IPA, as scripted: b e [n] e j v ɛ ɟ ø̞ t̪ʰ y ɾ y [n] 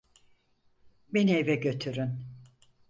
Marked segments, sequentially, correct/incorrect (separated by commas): correct, correct